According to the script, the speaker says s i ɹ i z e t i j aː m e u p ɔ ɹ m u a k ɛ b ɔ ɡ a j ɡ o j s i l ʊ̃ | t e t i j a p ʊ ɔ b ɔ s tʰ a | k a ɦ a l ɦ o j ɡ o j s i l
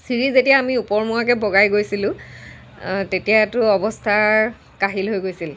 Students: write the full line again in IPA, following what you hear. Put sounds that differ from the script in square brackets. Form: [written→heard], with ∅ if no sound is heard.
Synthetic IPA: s i ɹ i z e t i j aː m [e→i] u p ɔ ɹ m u a k ɛ b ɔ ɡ a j ɡ o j s i l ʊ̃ | t e t i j a [p→t] ʊ ɔ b ɔ s tʰ a | k a ɦ [a→i] l ɦ o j ɡ o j s i l